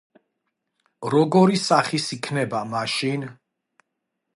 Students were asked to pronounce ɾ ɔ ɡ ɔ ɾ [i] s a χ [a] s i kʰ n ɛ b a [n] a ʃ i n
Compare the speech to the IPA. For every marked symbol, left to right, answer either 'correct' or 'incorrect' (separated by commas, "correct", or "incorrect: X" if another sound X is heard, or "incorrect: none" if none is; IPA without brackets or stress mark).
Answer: correct, incorrect: i, incorrect: m